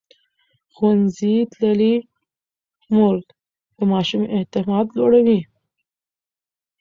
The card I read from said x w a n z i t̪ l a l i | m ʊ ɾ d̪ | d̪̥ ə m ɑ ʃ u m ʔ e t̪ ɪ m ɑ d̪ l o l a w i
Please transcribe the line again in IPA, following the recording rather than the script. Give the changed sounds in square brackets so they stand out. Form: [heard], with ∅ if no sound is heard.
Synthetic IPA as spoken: x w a n z i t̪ l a l i | m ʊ ɾ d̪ | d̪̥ ə m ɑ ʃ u m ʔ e t̪ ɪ m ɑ d̪ l o [ɽ] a w i